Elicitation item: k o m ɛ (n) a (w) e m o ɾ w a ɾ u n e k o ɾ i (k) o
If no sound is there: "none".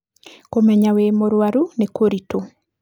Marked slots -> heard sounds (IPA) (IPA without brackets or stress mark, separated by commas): ɲ, w, t